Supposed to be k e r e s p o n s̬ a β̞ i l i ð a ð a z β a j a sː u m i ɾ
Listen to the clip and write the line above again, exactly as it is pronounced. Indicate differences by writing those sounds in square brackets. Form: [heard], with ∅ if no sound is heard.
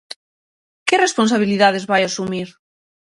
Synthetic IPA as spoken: k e r e s p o n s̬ a β̞ i l i ð a ð [e] z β a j a [s] u m i ɾ

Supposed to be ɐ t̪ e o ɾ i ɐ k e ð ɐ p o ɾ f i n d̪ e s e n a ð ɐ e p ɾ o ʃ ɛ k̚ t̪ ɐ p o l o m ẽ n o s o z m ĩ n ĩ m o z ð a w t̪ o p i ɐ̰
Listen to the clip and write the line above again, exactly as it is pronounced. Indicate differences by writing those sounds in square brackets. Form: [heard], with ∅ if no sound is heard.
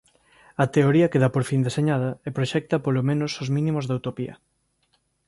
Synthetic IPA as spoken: ɐ t̪ e o ɾ i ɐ k e ð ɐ p o ɾ f i n d̪ e s e [ɲ] a ð ɐ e p ɾ o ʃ ɛ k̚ t̪ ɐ p o l o m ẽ n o s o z m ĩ n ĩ m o z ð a w t̪ o p i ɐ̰

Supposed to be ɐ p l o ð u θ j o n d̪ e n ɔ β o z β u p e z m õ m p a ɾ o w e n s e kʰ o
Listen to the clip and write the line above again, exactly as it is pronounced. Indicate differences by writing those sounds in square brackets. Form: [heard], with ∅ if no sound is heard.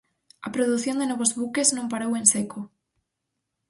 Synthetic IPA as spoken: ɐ p [ɾ] o ð u θ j o n d̪ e n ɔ β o z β u [k] e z [n] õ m p a ɾ o w e n s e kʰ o

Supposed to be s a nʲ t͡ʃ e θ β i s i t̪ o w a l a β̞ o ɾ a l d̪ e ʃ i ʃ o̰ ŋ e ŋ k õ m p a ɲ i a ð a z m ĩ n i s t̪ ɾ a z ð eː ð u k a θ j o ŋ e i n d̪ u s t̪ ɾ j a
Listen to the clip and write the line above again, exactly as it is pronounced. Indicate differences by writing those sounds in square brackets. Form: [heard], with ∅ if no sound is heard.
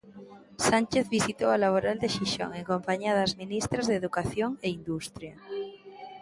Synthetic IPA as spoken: s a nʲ t͡ʃ e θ β i s i t̪ o w a l a β̞ o ɾ a l d̪ e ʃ i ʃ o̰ ŋ e ŋ k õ m p a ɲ i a ð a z m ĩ n i s t̪ ɾ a z ð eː ð u k a θ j o ŋ e i n d̪ u s t̪ ɾ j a

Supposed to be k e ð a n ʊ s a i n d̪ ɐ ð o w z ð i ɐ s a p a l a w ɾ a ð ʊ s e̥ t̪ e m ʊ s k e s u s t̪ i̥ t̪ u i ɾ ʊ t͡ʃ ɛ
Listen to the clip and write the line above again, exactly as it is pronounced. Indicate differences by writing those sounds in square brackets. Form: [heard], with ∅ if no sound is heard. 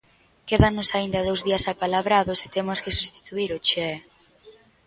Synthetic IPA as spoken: k e ð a n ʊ s a i n d̪ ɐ ð o w z ð i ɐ s a p a l a [β] ɾ a ð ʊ s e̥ t̪ e m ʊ s k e s u s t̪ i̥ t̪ u i ɾ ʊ t͡ʃ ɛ

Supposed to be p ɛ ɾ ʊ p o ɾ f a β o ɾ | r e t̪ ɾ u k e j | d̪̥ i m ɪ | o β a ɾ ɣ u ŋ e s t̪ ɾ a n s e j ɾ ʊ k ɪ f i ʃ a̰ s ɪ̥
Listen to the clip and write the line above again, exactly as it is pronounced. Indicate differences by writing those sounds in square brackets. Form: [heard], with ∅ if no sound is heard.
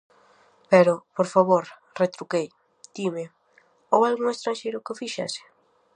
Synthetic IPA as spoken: p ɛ ɾ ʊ p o ɾ f a β o ɾ | r e t̪ ɾ u k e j | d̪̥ i m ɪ | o [w] a [l] ɣ u ŋ e s t̪ ɾ a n [ʃ] e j ɾ ʊ k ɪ f i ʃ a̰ s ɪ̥

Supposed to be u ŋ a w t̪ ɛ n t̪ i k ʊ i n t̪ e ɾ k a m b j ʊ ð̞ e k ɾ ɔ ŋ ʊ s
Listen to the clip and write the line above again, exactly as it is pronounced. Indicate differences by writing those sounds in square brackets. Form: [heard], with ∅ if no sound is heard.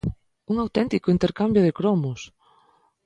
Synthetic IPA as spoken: u ŋ a w t̪ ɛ n t̪ i k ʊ i n t̪ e ɾ k a m b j ʊ ð̞ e k ɾ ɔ [m] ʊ s

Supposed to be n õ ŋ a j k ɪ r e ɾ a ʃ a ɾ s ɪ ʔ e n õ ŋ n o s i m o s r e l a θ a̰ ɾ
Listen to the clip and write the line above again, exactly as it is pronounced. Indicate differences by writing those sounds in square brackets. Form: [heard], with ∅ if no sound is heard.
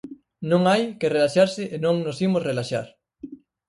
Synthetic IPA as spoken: n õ ŋ a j k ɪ r e [l] a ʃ a ɾ s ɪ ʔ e n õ ŋ n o s i m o s r e l a [ʃ] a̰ ɾ

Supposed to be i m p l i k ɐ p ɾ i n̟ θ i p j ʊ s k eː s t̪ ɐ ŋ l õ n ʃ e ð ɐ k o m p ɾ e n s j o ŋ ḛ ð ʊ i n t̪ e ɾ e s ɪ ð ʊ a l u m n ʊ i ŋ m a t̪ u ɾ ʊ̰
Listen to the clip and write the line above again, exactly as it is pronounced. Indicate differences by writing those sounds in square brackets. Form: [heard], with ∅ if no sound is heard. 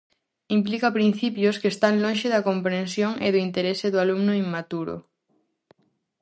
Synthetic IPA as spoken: i m p l i k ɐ p ɾ i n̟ θ i p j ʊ s k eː s t̪ [a] ŋ l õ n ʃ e ð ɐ k o m p ɾ e n s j o ŋ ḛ ð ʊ i n t̪ e ɾ e s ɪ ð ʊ a l u m n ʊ i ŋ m a t̪ u ɾ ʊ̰

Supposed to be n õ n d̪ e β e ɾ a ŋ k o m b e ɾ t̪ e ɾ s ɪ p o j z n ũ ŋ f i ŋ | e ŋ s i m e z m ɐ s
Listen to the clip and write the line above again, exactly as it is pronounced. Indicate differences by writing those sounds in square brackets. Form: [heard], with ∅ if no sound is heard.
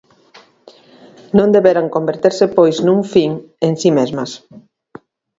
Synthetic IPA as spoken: n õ n d̪ e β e ɾ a ŋ k o m b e ɾ t̪ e ɾ s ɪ p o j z n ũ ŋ f i ŋ | e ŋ s i m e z m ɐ s

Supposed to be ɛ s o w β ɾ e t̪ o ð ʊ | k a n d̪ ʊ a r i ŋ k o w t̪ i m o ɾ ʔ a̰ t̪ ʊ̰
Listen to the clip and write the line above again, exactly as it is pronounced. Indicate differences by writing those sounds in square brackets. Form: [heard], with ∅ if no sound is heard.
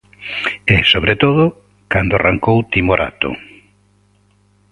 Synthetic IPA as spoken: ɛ s o [∅] β ɾ e t̪ o ð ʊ | k a n d̪ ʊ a r [a] ŋ k o w t̪ i m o ɾ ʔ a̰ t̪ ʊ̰

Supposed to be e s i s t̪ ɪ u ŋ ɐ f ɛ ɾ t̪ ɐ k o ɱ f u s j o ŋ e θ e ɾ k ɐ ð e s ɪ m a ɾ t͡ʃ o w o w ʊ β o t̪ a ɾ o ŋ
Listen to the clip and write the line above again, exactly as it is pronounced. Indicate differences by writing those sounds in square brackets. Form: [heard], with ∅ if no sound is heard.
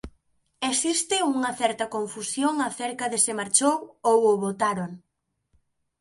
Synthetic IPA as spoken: e s i s t̪ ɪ u ŋ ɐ [θ] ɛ ɾ t̪ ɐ k o ɱ f u s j o ŋ [a] θ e ɾ k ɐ ð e s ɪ m a ɾ t͡ʃ o w o w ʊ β o t̪ a ɾ o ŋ

